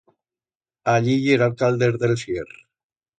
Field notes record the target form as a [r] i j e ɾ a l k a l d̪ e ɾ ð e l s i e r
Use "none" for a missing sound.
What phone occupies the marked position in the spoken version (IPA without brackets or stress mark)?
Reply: ʎ